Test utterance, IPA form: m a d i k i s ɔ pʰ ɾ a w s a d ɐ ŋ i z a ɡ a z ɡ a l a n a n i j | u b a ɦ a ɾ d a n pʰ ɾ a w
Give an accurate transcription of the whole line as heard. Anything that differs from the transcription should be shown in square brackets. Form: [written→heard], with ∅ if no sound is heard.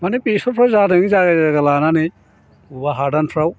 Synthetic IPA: m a [d→n] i [k→p] i s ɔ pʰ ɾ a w [s→z] a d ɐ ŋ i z a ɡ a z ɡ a l a n a n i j | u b a ɦ a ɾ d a n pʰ ɾ a w